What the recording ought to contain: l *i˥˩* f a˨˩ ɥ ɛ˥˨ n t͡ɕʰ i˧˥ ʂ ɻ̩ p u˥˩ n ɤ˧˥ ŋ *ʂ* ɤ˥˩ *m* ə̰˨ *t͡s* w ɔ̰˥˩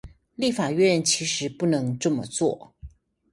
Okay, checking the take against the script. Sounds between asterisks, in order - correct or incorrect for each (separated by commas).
correct, incorrect, correct, correct